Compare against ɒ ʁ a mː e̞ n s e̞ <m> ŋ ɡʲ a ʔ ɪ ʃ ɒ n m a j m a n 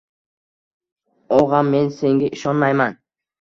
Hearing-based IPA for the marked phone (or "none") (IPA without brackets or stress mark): none